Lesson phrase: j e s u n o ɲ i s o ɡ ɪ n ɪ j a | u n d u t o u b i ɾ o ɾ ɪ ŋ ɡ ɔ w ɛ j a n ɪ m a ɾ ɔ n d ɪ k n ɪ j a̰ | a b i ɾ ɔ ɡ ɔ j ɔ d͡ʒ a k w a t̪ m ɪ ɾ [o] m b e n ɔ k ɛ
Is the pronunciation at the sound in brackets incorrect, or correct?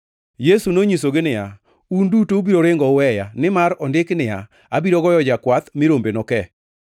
correct